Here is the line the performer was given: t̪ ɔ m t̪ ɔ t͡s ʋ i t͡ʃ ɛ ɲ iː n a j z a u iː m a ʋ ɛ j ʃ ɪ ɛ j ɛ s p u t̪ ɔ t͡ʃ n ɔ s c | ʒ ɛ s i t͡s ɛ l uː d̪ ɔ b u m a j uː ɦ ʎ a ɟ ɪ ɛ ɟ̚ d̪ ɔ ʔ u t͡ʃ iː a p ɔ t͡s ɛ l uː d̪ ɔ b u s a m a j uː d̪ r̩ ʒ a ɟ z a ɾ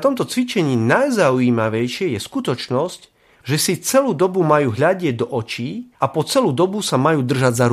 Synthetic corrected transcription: t̪ ɔ m t̪ ɔ t͡s ʋ i t͡ʃ ɛ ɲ iː n a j z a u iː m a ʋ ɛ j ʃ ɪ ɛ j ɛ s k u t̪ ɔ t͡ʃ n ɔ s c | ʒ ɛ s i t͡s ɛ l uː d̪ ɔ b u m a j uː ɦ ʎ a ɟ ɪ ɛ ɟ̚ d̪ ɔ ʔ ɔ t͡ʃ iː a p ɔ t͡s ɛ l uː d̪ ɔ b u s a m a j uː d̪ r̩ ʒ a ɟ z a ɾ